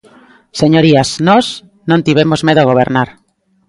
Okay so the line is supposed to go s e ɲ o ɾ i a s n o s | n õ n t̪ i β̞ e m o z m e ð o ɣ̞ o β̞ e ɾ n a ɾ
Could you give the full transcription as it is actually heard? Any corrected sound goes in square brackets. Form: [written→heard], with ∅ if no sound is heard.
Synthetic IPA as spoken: s e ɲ o ɾ i a s n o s | n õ n t̪ i β̞ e m o z m e ð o ɣ̞ o β̞ e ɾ n a ɾ